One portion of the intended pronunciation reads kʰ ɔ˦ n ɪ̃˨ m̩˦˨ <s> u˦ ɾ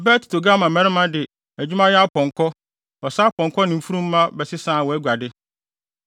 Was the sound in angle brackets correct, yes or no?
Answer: no